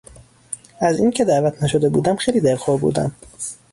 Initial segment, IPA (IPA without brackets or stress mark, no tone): æ